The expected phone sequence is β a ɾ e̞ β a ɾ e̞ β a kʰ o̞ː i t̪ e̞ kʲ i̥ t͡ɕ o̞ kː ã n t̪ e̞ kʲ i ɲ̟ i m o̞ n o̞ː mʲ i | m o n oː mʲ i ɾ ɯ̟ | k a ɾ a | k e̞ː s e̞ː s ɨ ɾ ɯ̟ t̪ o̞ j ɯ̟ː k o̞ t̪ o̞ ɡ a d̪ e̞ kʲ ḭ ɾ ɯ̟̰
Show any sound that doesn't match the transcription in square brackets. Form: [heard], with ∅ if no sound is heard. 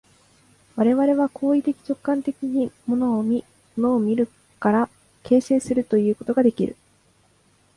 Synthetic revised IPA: β a ɾ e̞ β a ɾ e̞ β a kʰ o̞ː i t̪ e̞ kʲ i̥ t͡ɕ o̞ kː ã n t̪ e̞ kʲ i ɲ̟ i m o̞ n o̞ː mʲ i | m o n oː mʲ i ɾ ɯ̟ | k a ɾ a | k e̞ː s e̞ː s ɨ ɾ ɯ̟ t̪ o̞ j ɯ̟ː k o̞ t̪ o̞ ɡ a d̪ e̞ kʲ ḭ ɾ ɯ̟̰

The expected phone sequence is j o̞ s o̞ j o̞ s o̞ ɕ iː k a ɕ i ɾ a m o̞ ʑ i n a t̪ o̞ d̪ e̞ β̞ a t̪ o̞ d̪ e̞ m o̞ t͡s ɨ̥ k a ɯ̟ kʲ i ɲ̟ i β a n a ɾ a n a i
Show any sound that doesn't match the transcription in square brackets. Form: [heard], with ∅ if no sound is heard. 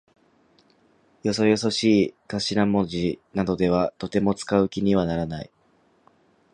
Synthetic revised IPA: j o̞ s o̞ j o̞ s o̞ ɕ iː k a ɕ i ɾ a m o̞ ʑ i n a [d̪] o̞ d̪ e̞ β̞ a t̪ o̞ [t̪] e̞ m o̞ t͡s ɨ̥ k a ɯ̟ kʲ i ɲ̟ i β a n a ɾ a n a i

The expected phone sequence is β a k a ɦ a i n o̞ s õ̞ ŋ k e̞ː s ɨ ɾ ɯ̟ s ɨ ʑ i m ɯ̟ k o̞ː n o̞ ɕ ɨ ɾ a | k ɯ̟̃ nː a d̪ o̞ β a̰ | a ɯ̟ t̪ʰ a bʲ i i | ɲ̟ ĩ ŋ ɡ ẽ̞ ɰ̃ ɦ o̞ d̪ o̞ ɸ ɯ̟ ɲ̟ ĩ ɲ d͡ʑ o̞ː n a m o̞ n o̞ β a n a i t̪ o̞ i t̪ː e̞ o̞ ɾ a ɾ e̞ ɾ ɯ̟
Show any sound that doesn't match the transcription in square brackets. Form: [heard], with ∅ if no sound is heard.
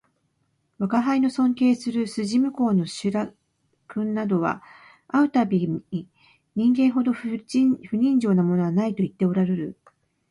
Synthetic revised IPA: β a k a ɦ a i n o̞ s õ̞ ŋ k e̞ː s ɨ ɾ ɯ̟ s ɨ ʑ i m ɯ̟ k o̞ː n o̞ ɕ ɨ ɾ a | k ɯ̟̃ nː a d̪ o̞ β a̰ | a ɯ̟ [t̪] a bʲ i i | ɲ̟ ĩ ŋ ɡ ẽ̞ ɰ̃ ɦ o̞ d̪ o̞ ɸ ɯ̟ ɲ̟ ĩ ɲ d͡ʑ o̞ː n a m o̞ n o̞ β a n a i t̪ o̞ i t̪ː e̞ o̞ ɾ a ɾ e̞ ɾ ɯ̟

